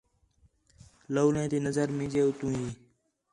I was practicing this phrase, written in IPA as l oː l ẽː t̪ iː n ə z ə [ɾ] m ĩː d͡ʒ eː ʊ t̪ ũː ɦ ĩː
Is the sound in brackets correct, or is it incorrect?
correct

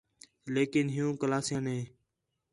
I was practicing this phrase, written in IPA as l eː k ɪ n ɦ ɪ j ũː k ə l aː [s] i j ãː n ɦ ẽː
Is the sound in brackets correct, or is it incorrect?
correct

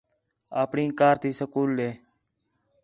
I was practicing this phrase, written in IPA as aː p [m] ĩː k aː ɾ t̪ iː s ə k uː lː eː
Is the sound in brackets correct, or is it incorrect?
incorrect: ɳ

